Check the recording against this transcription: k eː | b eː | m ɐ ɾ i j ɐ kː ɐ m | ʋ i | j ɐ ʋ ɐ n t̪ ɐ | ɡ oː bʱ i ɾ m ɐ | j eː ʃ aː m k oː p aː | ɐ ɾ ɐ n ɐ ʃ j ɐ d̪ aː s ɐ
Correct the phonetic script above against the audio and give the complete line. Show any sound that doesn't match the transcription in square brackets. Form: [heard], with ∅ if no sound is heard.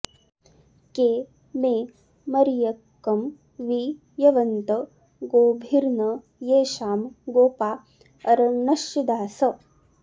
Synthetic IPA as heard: k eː | [m] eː | m ɐ ɾ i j ɐ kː ɐ m | ʋ i | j ɐ ʋ ɐ n t̪ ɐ | ɡ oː bʱ i ɾ [n] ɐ | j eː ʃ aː m [ɡ] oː p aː | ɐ ɾ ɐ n ɐ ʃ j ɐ d̪ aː s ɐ